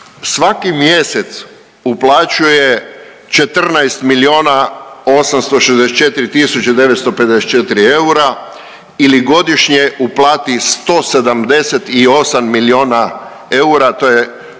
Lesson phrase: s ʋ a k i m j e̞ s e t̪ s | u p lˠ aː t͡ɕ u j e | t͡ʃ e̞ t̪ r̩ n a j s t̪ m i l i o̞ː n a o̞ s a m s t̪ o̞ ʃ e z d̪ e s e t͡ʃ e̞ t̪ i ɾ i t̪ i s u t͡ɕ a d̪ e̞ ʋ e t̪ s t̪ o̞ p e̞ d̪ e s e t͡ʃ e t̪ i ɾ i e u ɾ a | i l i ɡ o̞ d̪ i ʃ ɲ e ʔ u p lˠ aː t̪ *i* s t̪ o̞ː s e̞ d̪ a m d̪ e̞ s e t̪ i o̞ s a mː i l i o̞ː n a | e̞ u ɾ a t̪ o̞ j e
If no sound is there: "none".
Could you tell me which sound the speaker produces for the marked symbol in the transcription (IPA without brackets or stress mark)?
i